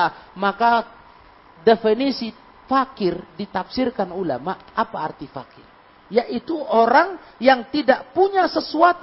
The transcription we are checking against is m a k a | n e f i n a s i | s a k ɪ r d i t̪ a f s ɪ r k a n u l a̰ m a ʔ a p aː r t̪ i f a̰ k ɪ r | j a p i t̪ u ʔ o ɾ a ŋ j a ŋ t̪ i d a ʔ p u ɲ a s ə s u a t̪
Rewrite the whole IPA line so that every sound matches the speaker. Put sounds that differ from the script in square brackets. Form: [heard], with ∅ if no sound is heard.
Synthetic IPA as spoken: m a k a | [d] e f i n [i] s i | [f] a k ɪ r d i t̪ a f s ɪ r k a n u l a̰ m a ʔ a p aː r t̪ i f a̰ k ɪ r | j a [ʔ] i t̪ u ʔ o ɾ a ŋ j a ŋ t̪ i d a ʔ p u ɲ a s ə s u a t̪